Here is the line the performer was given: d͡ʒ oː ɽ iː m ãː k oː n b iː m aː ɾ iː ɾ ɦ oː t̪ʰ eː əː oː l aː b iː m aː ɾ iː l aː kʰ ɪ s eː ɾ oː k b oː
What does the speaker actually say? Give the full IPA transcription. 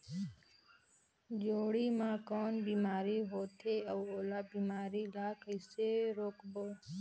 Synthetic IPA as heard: d͡ʒ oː ɽ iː m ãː k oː n b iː m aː ɾ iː ɦ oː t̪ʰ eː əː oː l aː b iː m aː ɾ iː l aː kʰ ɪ s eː ɾ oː k b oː